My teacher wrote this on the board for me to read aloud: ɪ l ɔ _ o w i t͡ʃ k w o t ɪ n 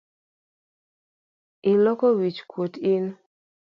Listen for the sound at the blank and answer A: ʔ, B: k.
B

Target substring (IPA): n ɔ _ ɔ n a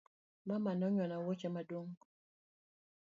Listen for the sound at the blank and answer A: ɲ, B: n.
A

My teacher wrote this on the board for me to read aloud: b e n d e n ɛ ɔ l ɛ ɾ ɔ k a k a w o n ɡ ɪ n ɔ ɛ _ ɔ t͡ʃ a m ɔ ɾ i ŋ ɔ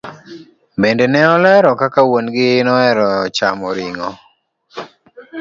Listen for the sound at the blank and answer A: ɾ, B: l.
A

